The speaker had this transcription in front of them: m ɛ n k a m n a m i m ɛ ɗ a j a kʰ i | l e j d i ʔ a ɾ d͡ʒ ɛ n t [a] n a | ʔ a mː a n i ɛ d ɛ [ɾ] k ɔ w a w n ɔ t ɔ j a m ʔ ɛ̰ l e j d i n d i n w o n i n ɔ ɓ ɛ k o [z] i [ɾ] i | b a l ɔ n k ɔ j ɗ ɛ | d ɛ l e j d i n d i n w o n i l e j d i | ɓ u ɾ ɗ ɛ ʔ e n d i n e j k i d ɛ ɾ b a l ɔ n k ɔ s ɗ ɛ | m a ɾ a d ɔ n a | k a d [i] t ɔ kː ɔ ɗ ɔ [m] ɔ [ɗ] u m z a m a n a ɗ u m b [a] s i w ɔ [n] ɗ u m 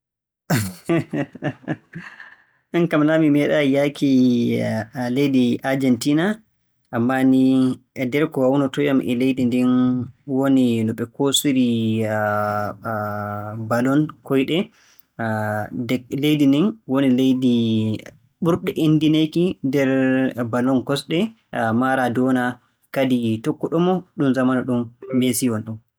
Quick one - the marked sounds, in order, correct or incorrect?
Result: incorrect: i, correct, incorrect: s, correct, correct, correct, correct, incorrect: e, correct

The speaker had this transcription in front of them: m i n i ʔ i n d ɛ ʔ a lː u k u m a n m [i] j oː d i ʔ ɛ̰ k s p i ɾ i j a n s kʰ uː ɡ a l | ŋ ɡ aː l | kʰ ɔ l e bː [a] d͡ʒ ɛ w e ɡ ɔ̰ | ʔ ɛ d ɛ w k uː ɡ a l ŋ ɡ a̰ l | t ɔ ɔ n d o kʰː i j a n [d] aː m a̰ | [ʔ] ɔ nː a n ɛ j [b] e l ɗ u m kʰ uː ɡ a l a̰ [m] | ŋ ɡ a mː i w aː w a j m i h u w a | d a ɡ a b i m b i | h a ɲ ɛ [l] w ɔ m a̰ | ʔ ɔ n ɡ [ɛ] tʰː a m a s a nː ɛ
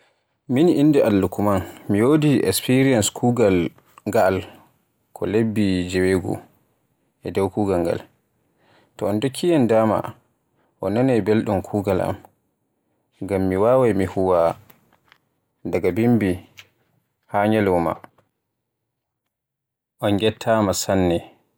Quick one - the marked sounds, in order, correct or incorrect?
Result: correct, incorrect: i, correct, correct, correct, correct, correct, correct

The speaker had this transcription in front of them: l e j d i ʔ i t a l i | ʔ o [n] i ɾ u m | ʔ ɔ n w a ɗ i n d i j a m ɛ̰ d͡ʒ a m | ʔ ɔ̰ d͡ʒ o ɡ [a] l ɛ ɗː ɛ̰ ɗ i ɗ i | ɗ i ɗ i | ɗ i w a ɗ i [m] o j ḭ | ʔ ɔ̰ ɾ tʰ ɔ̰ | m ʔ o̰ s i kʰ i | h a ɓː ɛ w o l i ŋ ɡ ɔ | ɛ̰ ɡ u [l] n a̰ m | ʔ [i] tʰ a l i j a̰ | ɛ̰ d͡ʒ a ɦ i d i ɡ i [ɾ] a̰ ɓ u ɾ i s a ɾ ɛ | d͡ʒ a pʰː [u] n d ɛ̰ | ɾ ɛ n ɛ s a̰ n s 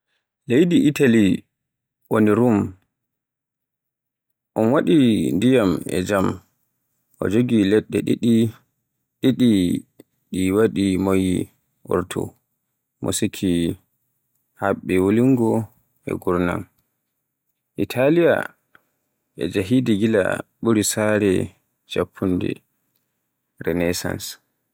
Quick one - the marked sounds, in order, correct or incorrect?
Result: correct, incorrect: i, correct, incorrect: ɾ, correct, incorrect: l, correct

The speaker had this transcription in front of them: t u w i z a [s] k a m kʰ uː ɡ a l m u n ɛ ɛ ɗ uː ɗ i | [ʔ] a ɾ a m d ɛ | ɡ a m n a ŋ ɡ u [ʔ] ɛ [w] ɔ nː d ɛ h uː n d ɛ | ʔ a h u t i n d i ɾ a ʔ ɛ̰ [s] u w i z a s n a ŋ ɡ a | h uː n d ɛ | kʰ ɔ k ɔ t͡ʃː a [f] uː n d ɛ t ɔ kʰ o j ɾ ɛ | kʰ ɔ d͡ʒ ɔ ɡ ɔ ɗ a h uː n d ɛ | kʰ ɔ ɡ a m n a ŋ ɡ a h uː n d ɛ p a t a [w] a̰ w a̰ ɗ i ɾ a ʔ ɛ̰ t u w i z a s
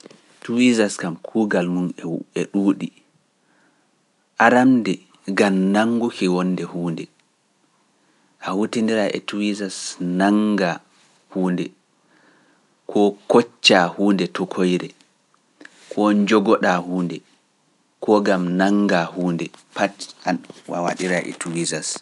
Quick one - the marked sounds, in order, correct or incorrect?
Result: correct, correct, incorrect: k, correct, incorrect: t, incorrect: h, correct

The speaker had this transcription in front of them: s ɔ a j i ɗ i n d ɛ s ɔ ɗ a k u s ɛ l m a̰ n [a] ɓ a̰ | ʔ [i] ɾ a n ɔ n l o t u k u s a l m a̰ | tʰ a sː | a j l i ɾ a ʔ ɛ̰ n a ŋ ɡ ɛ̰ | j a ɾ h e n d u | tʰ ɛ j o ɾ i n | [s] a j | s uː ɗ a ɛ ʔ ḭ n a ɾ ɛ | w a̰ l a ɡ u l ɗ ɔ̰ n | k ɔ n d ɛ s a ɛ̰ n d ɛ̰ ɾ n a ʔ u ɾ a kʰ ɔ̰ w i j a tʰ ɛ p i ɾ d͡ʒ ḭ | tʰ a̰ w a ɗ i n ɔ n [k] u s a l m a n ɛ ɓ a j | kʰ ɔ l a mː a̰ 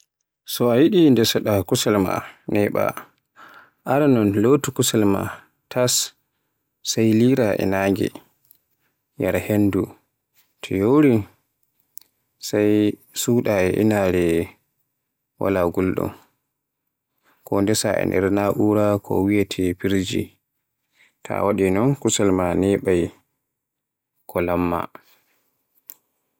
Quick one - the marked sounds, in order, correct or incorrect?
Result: incorrect: ɛ, incorrect: a, correct, correct

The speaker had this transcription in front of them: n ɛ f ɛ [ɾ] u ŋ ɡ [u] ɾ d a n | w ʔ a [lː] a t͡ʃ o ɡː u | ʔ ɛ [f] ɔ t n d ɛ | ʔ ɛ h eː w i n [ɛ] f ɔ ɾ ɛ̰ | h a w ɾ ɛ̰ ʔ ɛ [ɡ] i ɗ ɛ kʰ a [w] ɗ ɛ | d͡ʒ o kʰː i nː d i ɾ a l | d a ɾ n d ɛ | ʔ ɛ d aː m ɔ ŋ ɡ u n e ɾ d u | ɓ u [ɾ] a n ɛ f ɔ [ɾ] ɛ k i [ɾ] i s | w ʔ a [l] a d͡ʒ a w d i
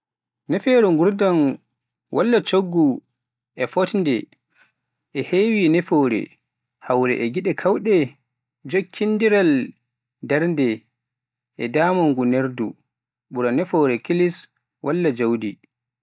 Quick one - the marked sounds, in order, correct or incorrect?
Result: correct, correct, correct, correct, correct, correct, correct, correct, correct, incorrect: l, incorrect: lː

